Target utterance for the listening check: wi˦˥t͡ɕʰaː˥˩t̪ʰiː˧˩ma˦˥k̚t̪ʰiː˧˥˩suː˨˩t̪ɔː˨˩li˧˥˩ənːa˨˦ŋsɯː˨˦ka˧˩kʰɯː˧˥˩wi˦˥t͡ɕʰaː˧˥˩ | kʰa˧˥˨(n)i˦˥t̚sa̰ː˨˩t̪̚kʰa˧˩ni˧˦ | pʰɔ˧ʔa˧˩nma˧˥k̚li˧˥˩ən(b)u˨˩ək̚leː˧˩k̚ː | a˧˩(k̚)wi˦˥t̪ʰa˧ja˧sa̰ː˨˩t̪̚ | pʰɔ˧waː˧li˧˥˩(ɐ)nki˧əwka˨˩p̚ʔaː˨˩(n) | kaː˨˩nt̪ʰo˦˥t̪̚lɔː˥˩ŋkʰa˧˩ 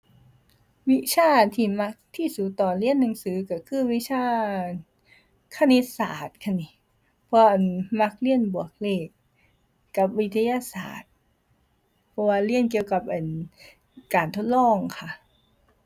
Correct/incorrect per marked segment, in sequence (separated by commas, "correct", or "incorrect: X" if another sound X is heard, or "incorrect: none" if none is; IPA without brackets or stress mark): correct, correct, incorrect: p̚, incorrect: ə, correct